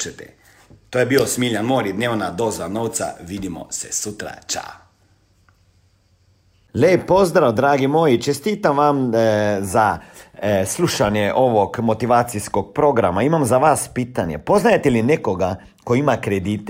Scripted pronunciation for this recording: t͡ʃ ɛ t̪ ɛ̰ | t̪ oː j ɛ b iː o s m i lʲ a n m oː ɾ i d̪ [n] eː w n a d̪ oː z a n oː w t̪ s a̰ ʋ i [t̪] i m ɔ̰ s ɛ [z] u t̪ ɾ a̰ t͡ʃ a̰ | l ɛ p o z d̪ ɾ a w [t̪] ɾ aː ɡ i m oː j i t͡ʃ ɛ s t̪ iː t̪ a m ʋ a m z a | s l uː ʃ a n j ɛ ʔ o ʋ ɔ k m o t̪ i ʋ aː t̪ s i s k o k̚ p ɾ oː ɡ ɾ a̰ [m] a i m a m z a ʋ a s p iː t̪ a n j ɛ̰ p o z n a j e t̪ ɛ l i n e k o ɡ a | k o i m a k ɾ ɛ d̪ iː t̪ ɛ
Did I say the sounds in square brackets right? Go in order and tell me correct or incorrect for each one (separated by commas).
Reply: correct, incorrect, incorrect, incorrect, correct